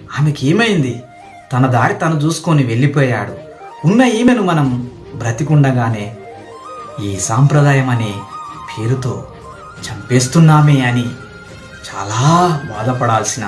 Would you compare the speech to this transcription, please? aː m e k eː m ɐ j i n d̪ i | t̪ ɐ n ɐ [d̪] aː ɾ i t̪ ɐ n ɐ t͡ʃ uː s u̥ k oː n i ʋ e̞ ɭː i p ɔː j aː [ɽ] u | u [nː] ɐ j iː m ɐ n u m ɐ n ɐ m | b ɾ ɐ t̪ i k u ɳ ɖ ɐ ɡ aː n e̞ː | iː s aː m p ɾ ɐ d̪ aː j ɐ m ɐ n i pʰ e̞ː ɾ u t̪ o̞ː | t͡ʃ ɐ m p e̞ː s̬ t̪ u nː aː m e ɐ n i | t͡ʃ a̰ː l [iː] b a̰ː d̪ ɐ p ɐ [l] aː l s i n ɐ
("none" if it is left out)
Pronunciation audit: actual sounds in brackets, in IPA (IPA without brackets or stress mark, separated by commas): d̪, ɽ, nː, aː, ɽ